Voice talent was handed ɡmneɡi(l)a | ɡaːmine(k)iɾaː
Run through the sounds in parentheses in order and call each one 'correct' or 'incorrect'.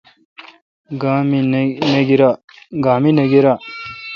incorrect, incorrect

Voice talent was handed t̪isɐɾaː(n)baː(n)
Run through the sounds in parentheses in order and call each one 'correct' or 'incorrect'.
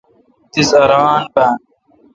correct, correct

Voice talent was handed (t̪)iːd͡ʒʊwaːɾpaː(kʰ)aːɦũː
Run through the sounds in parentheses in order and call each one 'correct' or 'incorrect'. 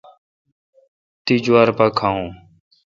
correct, correct

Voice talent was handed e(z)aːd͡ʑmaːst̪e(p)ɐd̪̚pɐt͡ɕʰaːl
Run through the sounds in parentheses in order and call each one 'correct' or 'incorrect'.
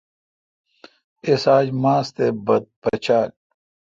incorrect, incorrect

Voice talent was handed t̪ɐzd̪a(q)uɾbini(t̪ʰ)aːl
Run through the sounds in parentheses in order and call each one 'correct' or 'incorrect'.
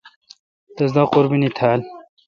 correct, correct

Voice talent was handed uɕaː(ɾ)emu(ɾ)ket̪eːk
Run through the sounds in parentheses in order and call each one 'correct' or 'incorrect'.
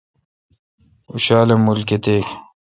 incorrect, incorrect

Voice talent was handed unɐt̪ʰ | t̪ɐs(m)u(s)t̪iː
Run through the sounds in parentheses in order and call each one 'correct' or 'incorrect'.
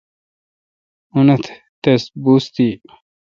incorrect, correct

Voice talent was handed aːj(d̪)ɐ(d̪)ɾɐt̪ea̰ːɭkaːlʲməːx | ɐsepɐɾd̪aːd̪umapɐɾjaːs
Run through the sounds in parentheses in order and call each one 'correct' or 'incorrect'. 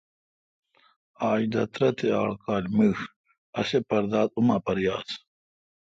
correct, incorrect

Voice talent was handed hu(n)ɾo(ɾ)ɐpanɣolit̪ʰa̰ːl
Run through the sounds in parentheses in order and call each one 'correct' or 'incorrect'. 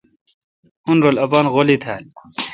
correct, incorrect

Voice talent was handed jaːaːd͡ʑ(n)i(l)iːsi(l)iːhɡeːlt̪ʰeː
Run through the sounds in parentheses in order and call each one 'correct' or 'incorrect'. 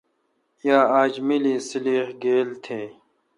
incorrect, correct, correct

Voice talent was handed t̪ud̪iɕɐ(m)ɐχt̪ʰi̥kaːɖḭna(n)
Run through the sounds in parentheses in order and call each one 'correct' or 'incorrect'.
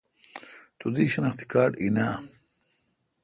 incorrect, incorrect

